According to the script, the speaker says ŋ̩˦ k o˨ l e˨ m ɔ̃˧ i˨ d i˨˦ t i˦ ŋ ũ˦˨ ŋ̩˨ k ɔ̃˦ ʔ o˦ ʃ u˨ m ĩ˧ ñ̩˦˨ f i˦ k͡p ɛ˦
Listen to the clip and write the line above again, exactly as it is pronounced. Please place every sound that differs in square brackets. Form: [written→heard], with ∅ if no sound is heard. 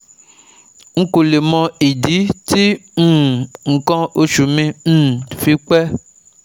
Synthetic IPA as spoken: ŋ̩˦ k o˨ l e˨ m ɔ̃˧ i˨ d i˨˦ t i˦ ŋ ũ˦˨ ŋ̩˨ k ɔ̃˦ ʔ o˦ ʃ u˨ m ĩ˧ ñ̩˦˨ f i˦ k͡p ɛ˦

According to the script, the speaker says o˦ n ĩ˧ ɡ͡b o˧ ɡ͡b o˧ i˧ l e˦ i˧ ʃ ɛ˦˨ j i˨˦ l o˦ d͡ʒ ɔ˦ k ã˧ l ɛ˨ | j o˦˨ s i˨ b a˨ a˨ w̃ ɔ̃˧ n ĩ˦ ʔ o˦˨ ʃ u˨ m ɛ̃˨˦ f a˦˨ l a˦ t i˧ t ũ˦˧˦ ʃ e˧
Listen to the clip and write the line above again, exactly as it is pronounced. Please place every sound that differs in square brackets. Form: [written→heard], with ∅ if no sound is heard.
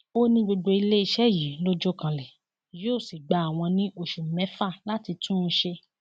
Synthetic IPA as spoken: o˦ n ĩ˧ ɡ͡b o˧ ɡ͡b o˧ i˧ l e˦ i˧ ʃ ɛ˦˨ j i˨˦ l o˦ d͡ʒ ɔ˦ k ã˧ l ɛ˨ | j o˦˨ s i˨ [b→ɡ͡b] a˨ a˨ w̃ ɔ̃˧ n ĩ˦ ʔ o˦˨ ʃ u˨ m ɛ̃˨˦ f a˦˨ l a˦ t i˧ t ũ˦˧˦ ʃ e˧

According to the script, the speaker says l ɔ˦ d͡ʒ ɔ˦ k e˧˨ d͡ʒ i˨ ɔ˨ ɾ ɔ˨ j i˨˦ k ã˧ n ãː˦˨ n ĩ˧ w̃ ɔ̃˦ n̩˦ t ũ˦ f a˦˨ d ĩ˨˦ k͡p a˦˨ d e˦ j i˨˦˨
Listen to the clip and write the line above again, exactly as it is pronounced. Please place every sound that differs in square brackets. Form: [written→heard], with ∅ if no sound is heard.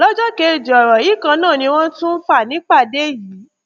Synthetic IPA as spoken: l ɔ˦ d͡ʒ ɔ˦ k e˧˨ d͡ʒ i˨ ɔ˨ ɾ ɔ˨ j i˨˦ k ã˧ n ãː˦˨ n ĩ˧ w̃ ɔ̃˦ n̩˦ t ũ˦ f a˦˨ [d→n] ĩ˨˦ k͡p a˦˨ d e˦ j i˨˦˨

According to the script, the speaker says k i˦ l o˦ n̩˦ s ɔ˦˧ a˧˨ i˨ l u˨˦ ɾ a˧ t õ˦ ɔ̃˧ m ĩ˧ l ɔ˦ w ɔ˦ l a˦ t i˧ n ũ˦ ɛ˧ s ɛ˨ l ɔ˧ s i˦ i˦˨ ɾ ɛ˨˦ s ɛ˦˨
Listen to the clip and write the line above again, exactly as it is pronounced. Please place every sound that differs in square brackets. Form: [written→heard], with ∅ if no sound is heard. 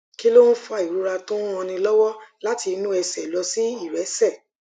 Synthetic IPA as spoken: k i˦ l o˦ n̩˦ [s→f] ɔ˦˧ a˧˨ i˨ [l→ɾ] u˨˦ ɾ a˧ t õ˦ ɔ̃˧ [m→n] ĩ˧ l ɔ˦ w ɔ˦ l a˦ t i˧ n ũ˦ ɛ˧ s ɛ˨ l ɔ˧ s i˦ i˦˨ ɾ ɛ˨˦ s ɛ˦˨

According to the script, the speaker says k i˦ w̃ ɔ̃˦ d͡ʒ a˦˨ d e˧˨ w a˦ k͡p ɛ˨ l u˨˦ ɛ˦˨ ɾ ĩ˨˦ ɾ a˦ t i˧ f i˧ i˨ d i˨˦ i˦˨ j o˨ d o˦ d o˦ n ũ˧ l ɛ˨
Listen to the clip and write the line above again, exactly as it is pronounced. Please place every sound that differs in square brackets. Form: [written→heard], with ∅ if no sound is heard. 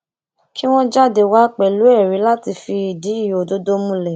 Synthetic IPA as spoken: k i˦ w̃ ɔ̃˦ d͡ʒ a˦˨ d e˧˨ w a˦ k͡p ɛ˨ l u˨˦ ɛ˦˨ ɾ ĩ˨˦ [ɾ→l] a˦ t i˧ f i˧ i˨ d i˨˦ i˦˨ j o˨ d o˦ d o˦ [n→m] ũ˧ l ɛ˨

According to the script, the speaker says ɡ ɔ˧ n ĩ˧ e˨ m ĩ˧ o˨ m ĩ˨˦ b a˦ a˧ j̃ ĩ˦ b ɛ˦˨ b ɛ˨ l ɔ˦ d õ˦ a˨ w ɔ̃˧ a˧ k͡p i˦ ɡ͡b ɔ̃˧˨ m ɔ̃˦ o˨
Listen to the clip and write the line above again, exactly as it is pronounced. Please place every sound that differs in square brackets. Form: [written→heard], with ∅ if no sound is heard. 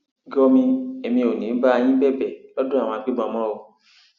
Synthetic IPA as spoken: ɡ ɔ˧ [n→m] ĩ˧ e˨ m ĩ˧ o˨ [m→n] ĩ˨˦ b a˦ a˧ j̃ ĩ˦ b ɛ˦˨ b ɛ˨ l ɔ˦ d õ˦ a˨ w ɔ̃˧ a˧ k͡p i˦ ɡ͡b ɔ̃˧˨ m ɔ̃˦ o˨

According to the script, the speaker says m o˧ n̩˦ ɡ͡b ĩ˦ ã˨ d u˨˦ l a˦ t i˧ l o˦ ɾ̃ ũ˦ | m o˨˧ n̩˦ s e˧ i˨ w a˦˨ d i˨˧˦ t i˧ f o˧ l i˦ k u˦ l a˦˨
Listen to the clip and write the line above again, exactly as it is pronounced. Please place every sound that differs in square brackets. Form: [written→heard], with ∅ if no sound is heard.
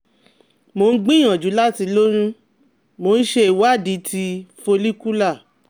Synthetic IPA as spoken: m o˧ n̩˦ ɡ͡b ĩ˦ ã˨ [d→d͡ʒ] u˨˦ l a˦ t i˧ l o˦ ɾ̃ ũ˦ | m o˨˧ n̩˦ [s→ʃ] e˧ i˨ w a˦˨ d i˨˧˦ t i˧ f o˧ l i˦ k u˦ l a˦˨

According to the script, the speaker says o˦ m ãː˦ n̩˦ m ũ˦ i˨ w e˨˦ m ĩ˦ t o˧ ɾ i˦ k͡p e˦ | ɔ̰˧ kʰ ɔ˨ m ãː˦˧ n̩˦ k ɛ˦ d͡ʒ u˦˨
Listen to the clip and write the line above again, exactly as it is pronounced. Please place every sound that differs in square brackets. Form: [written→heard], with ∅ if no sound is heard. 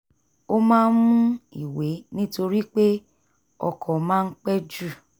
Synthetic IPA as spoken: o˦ m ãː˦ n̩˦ m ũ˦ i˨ w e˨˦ [m→n] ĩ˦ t o˧ ɾ i˦ k͡p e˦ | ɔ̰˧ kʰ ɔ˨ m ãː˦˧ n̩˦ [k→k͡p] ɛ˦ d͡ʒ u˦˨

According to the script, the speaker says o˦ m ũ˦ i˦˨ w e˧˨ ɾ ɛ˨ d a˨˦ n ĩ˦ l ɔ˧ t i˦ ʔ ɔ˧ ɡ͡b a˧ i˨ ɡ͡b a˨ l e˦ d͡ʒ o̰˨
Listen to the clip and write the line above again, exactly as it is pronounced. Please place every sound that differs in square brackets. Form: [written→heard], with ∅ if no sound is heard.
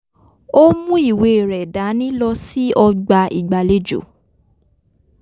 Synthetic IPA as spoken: o˦ m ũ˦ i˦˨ w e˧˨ ɾ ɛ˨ d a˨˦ n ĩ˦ l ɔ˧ [t→s] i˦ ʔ ɔ˧ ɡ͡b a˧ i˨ ɡ͡b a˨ l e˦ d͡ʒ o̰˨

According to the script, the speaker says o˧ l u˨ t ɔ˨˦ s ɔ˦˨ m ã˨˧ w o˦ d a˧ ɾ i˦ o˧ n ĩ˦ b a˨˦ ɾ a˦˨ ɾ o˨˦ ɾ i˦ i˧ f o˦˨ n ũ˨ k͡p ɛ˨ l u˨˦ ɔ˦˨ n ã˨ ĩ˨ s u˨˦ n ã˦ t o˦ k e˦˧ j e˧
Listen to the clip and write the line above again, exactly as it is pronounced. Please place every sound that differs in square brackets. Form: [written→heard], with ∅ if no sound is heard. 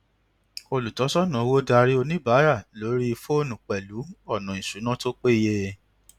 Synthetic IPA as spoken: o˧ l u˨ t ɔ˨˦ s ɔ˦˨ [m→n] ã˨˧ w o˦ d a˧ ɾ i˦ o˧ n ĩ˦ b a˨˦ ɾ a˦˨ [ɾ→l] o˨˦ ɾ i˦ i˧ f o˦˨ n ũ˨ k͡p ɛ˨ l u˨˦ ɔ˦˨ n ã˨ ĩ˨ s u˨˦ n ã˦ t o˦ [k→k͡p] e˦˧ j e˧

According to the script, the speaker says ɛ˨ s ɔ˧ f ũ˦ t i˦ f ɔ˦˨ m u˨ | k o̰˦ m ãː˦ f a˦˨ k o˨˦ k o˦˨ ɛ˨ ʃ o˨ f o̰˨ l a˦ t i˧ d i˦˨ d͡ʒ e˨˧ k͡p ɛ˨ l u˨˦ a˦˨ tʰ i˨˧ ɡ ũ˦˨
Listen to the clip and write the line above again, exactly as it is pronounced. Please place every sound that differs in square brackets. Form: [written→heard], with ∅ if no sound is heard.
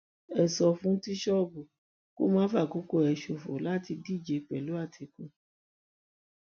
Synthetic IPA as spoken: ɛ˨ s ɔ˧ f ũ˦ t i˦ [f→ʃ] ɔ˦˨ [m→b] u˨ | k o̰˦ m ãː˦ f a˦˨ k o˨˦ k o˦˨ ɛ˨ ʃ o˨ f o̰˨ l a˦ t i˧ d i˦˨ d͡ʒ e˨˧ k͡p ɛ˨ l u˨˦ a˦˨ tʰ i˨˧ [ɡ→k] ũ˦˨

